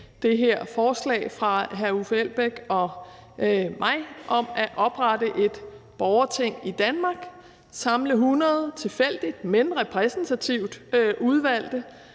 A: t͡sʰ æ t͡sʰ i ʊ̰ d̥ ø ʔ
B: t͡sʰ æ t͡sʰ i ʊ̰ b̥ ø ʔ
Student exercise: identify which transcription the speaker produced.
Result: A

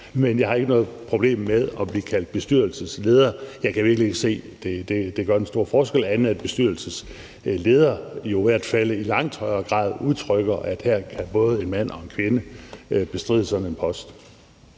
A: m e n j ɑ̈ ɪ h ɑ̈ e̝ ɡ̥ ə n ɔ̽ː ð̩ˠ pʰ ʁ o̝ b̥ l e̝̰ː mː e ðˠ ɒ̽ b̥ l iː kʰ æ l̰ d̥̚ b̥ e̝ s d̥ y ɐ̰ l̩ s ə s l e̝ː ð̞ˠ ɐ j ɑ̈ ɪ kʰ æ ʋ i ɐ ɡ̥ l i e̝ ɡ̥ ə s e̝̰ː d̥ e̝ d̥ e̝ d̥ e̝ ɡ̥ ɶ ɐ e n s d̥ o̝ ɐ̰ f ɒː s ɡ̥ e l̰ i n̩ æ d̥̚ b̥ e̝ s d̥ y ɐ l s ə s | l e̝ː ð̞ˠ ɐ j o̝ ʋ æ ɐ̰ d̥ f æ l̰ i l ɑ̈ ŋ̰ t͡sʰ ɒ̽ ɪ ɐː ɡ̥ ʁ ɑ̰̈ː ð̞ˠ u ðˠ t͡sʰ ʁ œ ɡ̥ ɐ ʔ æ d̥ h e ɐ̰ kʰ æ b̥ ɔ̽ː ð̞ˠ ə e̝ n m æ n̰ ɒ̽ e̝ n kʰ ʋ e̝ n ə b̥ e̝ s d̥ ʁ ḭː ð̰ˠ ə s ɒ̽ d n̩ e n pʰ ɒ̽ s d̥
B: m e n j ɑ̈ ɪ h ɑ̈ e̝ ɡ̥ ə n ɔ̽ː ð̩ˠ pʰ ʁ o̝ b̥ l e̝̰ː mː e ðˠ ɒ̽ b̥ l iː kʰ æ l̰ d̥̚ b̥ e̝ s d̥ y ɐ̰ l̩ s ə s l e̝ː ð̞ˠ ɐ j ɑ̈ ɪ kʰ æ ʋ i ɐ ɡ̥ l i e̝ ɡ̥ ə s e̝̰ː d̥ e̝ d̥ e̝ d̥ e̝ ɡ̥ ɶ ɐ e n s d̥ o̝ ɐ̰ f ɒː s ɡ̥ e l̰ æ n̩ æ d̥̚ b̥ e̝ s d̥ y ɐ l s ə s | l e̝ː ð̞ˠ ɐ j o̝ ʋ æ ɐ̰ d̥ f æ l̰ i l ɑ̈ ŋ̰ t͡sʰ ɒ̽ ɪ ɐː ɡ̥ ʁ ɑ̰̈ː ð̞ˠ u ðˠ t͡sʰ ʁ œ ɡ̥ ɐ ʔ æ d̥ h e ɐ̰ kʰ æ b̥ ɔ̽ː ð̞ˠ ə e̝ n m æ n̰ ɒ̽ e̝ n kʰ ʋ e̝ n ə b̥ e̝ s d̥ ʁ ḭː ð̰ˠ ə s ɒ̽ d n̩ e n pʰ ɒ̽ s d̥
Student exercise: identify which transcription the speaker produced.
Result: B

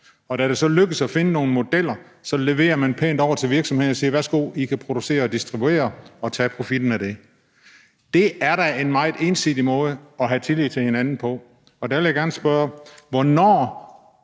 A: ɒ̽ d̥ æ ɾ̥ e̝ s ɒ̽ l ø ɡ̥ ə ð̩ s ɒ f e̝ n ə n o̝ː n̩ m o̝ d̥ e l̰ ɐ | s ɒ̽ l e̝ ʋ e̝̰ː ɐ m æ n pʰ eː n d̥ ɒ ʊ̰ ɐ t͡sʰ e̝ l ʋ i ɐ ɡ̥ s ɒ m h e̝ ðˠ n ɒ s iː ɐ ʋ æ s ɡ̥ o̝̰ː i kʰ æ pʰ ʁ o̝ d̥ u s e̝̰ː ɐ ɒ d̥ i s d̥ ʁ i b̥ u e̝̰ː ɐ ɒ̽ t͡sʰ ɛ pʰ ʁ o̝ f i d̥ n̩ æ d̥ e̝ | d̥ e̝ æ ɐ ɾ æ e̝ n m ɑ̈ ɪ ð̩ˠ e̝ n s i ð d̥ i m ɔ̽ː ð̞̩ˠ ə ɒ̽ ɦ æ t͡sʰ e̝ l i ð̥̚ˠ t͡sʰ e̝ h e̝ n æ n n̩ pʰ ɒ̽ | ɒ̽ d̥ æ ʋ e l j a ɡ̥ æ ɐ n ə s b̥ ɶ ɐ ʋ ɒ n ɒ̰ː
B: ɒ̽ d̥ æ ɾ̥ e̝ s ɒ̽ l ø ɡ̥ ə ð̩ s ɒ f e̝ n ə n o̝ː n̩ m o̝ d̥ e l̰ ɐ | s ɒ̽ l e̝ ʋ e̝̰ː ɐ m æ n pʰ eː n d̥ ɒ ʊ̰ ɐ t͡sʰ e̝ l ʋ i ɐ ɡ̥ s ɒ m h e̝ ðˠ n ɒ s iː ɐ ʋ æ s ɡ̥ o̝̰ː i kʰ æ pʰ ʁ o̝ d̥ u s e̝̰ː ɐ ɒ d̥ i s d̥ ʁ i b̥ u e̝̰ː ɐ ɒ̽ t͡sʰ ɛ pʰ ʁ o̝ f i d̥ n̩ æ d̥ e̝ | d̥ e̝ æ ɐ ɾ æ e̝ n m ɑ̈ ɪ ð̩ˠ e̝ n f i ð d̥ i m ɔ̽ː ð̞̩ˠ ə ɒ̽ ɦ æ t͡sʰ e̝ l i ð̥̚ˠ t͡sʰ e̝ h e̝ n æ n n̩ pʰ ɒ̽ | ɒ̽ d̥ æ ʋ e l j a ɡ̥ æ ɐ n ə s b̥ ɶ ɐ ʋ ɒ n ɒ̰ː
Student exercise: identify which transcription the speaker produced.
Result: A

